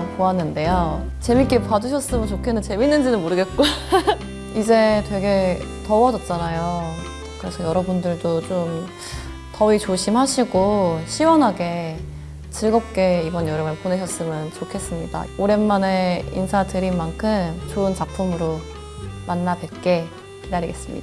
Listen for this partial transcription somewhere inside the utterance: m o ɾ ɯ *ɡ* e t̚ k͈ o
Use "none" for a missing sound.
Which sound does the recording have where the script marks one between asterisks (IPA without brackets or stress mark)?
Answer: ɡ